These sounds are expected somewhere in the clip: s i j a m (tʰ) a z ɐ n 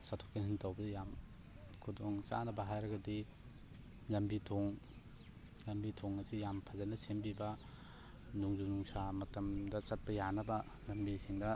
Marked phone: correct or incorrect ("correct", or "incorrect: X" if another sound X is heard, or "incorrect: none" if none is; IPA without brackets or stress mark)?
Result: incorrect: pʰ